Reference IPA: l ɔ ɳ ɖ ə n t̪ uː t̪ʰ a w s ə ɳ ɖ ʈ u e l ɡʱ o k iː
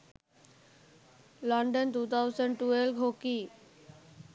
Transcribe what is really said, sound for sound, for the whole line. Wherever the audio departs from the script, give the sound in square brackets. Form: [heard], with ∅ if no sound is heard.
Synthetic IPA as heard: l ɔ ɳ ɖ ə n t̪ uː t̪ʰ a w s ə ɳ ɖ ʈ u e l ɡʱ o k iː